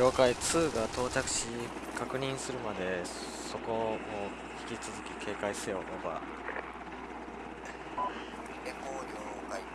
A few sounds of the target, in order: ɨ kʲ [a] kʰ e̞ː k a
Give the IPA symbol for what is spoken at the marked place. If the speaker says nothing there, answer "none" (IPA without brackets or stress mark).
i